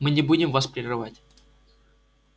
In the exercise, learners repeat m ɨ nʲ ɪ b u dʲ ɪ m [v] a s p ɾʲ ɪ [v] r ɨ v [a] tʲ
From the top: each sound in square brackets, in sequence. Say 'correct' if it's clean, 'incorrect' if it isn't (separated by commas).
correct, incorrect, correct